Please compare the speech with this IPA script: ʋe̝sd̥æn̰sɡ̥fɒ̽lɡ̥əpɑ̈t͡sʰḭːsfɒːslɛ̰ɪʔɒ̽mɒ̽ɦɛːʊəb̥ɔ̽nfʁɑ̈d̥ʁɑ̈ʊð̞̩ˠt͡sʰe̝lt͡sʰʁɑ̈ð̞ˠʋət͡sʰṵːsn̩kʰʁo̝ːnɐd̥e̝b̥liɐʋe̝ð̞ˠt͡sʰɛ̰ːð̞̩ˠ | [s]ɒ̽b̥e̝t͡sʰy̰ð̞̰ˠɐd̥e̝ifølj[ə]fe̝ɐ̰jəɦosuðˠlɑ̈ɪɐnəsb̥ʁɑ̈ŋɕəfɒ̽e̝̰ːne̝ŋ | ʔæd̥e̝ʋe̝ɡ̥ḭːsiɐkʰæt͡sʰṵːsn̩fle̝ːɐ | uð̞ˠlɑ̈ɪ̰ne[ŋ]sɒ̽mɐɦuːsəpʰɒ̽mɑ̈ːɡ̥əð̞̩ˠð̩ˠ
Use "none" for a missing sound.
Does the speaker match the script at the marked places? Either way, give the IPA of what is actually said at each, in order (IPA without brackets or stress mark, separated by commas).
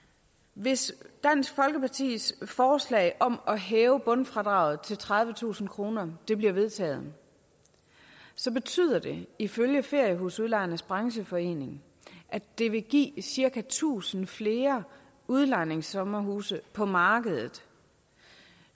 s, ə, ŋ